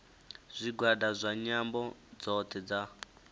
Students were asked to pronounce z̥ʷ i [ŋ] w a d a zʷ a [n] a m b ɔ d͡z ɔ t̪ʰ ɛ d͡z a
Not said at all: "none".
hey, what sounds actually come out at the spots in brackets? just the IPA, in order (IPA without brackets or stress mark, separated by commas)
ɡ, ɲ